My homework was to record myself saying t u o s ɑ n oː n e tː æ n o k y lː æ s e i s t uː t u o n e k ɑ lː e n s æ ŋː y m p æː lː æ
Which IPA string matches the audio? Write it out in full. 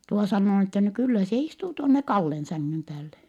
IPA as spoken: t u o s ɑ nː oː n e tː æ n o k y lː æ s e i s t uː t u o nː e k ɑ lː e n s æ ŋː y m p æː lː e